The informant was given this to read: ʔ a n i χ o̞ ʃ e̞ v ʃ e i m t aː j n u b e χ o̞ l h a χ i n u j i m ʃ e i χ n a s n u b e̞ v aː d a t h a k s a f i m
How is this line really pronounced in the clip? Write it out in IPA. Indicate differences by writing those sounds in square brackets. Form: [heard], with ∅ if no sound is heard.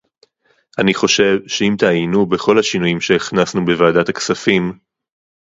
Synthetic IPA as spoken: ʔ a n i χ o̞ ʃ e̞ v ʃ e i m t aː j n u b e χ o̞ l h a [ʃ] i n u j i m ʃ e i χ n a s n u b e̞ v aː d a t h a k s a f i m